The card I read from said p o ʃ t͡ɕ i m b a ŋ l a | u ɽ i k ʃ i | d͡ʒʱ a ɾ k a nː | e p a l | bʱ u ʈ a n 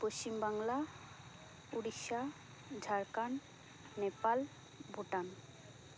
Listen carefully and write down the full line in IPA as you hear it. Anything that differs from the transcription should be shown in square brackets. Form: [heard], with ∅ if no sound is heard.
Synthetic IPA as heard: p o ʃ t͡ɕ i m b a ŋ l a | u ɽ i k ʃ [a] | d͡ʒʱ a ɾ k a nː | e p a l | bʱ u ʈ a n